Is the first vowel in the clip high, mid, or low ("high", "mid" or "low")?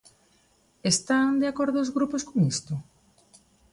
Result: mid